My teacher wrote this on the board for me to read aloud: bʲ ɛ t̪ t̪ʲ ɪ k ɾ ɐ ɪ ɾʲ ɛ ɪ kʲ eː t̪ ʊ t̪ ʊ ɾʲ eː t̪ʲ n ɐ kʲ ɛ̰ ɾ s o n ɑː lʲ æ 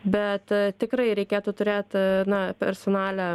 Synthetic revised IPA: bʲ ɛ t̪ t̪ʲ ɪ k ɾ ɐ ɪ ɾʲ ɛ ɪ kʲ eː t̪ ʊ t̪ ʊ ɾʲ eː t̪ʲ n ɐ pʲ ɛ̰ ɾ s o n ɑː lʲ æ

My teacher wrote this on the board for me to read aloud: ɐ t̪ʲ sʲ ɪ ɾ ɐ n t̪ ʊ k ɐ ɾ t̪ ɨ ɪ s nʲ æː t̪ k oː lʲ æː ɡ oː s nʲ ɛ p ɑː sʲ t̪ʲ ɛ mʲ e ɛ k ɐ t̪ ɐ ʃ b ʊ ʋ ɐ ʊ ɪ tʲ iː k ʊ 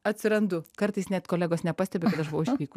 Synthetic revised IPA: ɐ t̪ʲ sʲ ɪ ɾ ɐ n d̪ ʊ k ɐ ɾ t̪ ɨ ɪ s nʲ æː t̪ k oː lʲ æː ɡ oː s nʲ ɛ p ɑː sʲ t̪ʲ ɛ bʲ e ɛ k ɐ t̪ ɐ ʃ b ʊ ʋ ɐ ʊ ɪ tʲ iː k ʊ

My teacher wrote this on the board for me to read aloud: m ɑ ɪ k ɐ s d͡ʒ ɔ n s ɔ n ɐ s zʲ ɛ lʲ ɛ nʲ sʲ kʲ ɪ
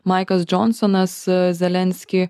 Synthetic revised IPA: m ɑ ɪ k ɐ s d͡ʒ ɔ n s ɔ n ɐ s zʲ ɛ lʲ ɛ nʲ sʲ kʲ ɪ

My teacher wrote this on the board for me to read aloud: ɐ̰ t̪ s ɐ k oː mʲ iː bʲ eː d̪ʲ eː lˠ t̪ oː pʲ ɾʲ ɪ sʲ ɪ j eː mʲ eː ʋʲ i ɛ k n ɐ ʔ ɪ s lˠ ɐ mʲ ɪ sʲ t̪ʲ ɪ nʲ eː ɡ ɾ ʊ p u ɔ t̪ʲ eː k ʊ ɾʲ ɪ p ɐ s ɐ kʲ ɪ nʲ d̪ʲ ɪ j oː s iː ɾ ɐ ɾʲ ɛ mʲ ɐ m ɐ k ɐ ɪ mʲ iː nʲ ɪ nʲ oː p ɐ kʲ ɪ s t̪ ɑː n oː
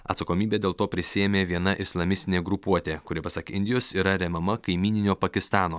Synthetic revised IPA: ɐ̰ t̪ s ɐ k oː mʲ iː bʲ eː d̪ʲ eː lˠ t̪ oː pʲ ɾʲ ɪ sʲ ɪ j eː mʲ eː ʋʲ i ɛ n ɐ ʔ ɪ s lˠ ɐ mʲ ɪ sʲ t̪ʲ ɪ nʲ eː ɡ ɾ ʊ p u ɔ t̪ʲ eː k ʊ ɾʲ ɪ p ɐ s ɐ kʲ ɪ nʲ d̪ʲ ɪ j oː s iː ɾ ɐ ɾʲ ɛ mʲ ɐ m ɐ k ɐ ɪ mʲ iː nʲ ɪ nʲ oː p ɐ kʲ ɪ s t̪ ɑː n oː

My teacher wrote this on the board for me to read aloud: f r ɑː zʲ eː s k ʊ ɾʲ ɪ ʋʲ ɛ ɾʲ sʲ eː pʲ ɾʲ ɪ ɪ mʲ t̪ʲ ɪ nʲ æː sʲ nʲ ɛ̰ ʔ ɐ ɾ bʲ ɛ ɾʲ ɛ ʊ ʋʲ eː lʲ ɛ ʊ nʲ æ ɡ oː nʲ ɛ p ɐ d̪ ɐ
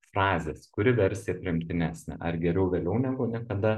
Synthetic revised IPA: f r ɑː zʲ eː s k ʊ ɾʲ ɪ ʋʲ ɛ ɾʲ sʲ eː pʲ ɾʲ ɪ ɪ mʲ t̪ʲ ɪ nʲ æː sʲ nʲ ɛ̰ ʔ ɐ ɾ ɡʲ ɛ ɾʲ ɛ ʊ ʋʲ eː lʲ ɛ ʊ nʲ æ ɡ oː nʲ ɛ k ɐ d̪ ɐ

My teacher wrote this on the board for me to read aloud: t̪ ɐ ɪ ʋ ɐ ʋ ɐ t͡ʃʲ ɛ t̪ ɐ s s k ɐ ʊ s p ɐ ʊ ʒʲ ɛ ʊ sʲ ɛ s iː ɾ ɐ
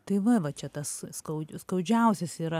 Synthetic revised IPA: t̪ ɐ ɪ ʋ ɐ ʋ ɐ t͡ʃʲ ɛ t̪ ɐ s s k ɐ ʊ s k ɐ ʊ d͡ʒʲ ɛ ʊ sʲ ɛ s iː ɾ ɐ

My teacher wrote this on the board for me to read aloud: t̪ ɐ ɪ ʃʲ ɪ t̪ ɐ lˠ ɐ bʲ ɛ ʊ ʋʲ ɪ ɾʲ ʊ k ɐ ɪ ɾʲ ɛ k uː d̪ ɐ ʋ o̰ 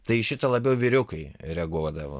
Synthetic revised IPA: t̪ ɐ ɪ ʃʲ ɪ t̪ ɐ lˠ ɐ bʲ ɛ ʊ ʋʲ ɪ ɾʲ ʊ k ɐ ɪ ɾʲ ɛ ɡ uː d̪ ɐ ʋ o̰

